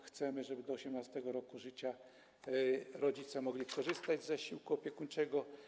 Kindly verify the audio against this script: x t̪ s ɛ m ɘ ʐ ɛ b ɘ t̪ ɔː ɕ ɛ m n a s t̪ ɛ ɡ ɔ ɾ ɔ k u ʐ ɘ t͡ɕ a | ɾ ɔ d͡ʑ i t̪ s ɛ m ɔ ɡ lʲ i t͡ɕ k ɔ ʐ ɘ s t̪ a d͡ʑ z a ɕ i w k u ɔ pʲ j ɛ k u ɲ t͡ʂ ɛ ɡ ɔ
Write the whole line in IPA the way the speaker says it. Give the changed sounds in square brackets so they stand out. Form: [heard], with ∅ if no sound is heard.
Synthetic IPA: x t̪ s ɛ m ɘ ʐ ɛ b ɘ [d̪] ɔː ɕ ɛ m n a s t̪ ɛ ɡ ɔ ɾ ɔ k u ʐ ɘ t͡ɕ a | ɾ ɔ d͡ʑ i t̪ s ɛ m ɔ ɡ lʲ i [∅] k ɔ ʐ ɘ s t̪ a d͡ʑ z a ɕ i w k u ɔ pʲ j ɛ k u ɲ t͡ʂ ɛ ɡ ɔ